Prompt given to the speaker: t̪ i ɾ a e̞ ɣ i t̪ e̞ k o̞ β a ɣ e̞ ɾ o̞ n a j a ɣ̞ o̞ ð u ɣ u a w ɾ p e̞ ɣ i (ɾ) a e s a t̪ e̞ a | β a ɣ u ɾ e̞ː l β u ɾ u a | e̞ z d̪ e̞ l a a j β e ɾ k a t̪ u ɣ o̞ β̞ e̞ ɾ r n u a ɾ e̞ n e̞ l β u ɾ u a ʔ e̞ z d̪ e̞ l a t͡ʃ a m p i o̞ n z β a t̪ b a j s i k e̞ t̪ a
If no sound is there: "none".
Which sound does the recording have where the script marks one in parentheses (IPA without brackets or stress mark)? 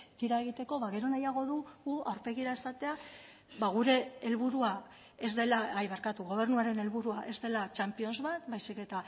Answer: ɾ